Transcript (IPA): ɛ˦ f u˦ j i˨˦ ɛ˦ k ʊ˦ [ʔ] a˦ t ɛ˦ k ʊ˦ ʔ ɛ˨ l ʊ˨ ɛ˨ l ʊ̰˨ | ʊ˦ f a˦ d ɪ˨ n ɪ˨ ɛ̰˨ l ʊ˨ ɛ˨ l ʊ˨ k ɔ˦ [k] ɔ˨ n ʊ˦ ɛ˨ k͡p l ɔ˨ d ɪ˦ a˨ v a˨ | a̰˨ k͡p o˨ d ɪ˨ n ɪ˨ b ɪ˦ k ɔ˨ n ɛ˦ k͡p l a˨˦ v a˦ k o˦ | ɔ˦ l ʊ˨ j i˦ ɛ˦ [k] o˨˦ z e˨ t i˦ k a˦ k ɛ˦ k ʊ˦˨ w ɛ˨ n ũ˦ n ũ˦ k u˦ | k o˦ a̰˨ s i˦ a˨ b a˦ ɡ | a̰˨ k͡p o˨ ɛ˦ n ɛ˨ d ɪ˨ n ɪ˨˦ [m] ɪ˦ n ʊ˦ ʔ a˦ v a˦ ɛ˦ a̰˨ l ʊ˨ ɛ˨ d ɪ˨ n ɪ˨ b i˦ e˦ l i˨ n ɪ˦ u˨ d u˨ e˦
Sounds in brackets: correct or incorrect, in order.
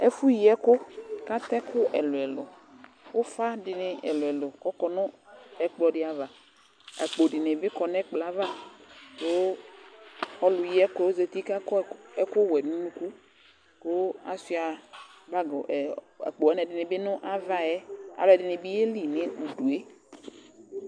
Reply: incorrect, correct, correct, incorrect

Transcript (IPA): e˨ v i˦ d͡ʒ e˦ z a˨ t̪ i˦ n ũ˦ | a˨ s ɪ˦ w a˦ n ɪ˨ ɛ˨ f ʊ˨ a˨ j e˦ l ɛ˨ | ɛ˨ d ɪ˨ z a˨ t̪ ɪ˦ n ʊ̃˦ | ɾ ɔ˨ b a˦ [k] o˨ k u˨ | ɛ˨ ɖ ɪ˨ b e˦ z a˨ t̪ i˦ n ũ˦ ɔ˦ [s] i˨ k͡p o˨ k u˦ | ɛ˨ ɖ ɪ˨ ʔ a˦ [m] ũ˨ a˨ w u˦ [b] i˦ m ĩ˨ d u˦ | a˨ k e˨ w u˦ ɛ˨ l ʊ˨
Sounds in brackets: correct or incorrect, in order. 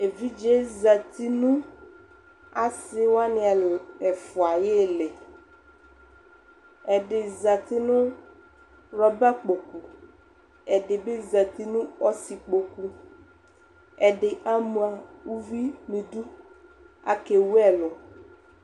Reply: incorrect, correct, correct, incorrect

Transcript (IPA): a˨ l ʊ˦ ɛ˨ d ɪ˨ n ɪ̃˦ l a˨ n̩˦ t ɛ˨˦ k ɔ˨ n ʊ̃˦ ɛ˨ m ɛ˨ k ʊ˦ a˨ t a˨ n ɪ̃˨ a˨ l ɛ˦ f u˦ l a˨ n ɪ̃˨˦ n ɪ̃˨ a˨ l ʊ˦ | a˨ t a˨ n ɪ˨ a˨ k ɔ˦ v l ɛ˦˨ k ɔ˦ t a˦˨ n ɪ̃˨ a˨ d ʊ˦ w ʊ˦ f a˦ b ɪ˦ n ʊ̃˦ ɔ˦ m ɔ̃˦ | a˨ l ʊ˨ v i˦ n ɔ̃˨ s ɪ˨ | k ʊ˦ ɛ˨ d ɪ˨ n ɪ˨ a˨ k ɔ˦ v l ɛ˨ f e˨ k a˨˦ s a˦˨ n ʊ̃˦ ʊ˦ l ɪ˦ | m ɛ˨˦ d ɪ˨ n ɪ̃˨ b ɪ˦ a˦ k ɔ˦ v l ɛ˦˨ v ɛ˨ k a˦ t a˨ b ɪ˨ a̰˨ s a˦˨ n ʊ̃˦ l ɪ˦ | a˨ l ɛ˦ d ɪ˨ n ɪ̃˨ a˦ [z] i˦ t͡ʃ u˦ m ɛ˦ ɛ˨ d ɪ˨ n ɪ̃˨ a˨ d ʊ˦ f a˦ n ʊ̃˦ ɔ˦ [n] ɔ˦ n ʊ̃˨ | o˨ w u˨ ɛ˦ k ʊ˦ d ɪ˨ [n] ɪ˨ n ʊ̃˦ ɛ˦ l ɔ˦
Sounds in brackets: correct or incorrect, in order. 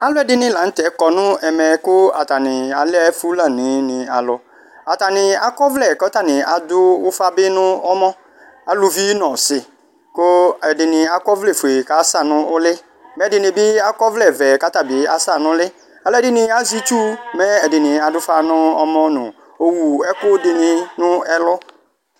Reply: correct, incorrect, correct

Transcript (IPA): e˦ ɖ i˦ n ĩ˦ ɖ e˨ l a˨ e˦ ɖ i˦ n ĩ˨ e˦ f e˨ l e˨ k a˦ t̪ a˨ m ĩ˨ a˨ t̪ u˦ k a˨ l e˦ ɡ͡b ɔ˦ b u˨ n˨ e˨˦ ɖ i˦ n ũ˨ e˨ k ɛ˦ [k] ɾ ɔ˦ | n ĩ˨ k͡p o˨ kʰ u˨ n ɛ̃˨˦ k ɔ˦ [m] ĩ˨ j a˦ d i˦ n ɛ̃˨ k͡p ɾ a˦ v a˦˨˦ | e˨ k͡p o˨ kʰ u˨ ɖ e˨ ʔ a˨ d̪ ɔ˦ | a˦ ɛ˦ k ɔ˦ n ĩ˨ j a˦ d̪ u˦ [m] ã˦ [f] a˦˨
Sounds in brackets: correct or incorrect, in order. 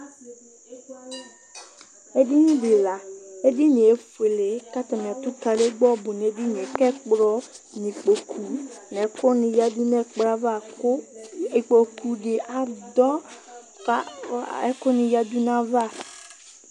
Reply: incorrect, incorrect, incorrect, incorrect

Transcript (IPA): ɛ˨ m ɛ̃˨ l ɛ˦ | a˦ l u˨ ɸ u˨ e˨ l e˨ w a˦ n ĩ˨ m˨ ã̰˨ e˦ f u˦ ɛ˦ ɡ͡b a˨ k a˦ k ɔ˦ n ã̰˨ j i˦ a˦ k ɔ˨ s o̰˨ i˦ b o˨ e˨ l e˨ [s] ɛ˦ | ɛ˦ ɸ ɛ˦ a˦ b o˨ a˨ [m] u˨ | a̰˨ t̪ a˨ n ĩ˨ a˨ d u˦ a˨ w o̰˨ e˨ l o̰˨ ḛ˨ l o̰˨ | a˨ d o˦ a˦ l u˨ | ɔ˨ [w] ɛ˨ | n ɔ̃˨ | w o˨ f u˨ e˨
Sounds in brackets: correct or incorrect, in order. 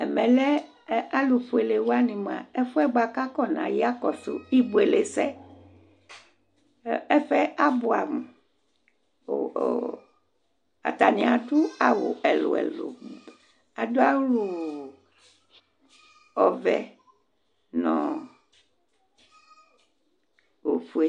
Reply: correct, correct, incorrect

